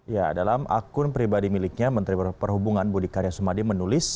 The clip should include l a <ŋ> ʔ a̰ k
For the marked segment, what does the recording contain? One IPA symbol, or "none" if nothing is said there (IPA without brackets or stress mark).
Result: m